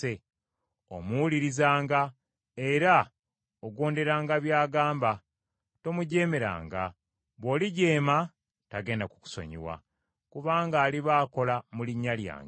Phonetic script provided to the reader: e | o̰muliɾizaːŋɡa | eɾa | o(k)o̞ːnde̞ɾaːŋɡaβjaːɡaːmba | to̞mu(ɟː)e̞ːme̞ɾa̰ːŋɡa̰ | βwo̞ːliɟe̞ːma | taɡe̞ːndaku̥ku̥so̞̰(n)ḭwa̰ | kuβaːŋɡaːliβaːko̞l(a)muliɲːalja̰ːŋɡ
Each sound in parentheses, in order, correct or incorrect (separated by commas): incorrect, incorrect, incorrect, correct